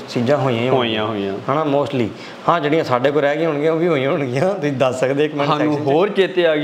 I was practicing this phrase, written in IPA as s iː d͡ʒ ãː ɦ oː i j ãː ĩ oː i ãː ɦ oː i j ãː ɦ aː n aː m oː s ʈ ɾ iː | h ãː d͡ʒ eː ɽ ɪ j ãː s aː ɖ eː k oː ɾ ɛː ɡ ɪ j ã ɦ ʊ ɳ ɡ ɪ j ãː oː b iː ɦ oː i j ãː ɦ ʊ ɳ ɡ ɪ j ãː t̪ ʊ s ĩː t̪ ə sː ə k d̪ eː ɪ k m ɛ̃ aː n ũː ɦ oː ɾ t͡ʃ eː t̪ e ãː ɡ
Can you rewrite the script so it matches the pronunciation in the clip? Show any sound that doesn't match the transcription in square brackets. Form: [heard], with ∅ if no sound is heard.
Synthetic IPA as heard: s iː d͡ʒ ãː ɦ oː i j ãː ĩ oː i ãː ɦ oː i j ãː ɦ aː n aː m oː s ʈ [l] iː | h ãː d͡ʒ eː ɽ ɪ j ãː s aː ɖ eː k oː ɾ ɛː ɡ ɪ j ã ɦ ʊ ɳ ɡ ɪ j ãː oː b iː ɦ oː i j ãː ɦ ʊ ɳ ɡ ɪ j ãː t̪ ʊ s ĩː [d̪] ə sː ə k d̪ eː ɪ k m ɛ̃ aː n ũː ɦ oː ɾ t͡ʃ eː t̪ e [aː] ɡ